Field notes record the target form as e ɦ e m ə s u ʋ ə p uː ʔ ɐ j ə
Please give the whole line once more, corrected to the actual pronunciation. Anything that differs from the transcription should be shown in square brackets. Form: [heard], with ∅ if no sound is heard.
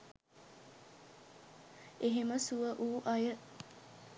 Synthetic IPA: e ɦ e m ə s u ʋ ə [ʔ] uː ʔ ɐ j ə